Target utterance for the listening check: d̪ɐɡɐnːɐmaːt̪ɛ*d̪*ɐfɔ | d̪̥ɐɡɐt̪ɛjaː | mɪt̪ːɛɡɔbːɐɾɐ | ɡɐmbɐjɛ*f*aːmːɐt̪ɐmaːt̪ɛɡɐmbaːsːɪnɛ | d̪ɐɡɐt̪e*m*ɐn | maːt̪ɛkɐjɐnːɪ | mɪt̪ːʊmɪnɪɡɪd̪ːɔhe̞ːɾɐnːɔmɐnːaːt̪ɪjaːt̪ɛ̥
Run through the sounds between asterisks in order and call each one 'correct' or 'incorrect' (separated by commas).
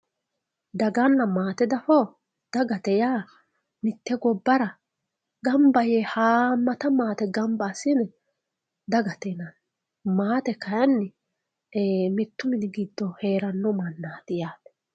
correct, incorrect, incorrect